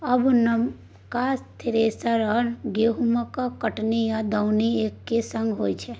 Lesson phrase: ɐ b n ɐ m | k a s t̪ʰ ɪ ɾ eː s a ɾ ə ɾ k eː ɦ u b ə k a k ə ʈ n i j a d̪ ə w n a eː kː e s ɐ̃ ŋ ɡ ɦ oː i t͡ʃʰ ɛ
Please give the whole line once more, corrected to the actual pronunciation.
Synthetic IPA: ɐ b n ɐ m | k a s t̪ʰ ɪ ɾ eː s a ɾ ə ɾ ɡ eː ɦ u m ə k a k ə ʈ n i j a d̪ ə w n i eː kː e s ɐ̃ ŋ ɡ ɦ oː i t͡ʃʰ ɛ